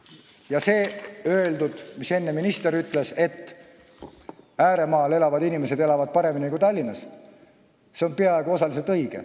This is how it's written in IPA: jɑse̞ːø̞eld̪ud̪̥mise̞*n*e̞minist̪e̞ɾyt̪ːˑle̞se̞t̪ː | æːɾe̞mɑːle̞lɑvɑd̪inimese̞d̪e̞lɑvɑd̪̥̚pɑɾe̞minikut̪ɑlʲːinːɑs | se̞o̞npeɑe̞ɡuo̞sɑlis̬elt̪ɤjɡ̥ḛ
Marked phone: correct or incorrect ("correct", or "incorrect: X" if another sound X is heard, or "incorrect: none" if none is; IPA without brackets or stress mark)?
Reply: incorrect: nː